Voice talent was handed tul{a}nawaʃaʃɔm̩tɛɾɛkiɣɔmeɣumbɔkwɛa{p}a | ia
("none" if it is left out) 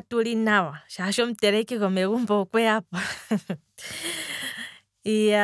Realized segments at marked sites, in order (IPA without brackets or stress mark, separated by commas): i, p